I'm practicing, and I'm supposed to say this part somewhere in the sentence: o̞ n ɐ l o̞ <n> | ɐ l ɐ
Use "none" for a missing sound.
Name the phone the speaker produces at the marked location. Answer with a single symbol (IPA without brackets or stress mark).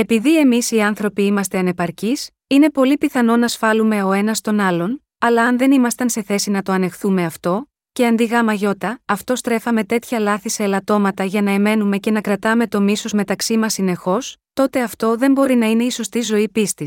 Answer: n